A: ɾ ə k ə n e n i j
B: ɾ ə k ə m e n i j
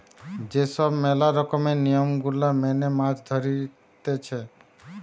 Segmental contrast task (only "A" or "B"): B